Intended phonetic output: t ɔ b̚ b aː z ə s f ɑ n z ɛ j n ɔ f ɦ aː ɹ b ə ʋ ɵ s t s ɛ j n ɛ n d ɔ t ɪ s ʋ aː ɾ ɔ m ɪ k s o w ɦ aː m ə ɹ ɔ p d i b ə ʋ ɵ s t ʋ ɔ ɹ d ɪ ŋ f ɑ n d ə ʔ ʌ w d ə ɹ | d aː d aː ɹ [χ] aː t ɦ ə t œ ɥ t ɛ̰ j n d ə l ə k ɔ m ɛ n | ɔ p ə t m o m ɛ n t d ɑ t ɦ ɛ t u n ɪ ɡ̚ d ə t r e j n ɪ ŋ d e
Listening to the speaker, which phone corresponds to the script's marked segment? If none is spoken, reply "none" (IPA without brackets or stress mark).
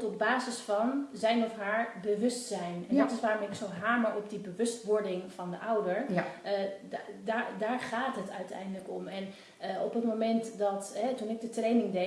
χ